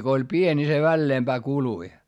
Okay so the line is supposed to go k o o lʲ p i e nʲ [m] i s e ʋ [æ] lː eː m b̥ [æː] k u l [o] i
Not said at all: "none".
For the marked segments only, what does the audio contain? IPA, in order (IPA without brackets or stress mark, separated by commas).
n, æ, æː, u